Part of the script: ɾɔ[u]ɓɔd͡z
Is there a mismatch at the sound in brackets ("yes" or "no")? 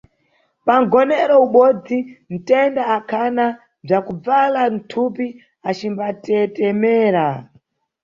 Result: no